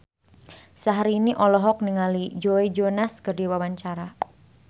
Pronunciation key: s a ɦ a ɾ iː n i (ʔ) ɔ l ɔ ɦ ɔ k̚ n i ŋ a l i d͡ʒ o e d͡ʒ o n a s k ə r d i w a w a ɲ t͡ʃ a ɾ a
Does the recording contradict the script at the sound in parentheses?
no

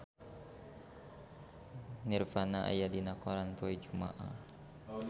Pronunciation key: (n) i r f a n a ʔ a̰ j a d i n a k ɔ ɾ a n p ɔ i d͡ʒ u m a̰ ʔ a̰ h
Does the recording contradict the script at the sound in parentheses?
no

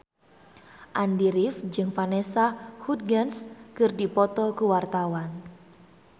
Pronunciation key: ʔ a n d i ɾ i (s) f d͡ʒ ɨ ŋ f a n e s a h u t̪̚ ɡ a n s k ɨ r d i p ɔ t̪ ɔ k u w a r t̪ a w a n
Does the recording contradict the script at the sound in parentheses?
yes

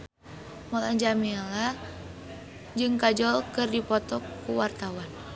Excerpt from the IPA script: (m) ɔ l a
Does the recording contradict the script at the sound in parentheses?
no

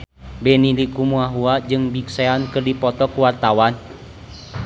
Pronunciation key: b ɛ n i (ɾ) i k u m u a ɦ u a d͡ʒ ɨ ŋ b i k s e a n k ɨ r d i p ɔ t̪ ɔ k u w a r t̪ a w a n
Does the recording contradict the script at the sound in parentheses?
yes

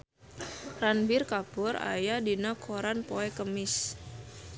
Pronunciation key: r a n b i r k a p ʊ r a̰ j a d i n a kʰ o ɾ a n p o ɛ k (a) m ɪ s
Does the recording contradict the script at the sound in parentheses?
yes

